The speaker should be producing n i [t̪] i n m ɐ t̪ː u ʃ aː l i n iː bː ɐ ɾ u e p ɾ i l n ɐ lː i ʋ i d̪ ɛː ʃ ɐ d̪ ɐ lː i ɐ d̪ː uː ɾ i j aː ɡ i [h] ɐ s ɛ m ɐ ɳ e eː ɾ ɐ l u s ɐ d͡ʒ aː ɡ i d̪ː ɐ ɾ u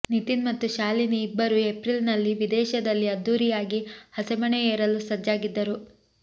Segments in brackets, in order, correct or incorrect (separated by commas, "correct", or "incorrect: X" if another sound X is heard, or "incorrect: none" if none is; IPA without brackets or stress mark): correct, correct